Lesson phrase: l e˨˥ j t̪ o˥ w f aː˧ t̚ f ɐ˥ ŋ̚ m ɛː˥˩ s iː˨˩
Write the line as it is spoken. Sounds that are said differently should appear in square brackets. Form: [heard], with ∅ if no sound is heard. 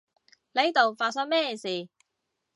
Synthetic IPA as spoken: l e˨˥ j t̪ [o˨] w f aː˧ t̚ [s] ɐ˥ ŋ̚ m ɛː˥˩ s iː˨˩